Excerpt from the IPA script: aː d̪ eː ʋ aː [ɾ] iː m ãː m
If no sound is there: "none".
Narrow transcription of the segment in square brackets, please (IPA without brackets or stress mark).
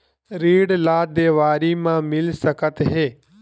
ɾ